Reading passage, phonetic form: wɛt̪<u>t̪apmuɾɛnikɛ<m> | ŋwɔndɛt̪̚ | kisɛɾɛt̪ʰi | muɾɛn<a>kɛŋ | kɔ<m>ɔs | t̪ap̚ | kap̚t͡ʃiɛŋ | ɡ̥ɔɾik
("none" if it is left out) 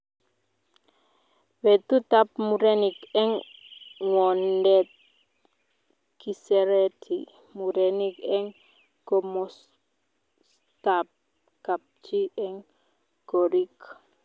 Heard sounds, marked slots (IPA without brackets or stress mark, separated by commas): u, ŋ, i, m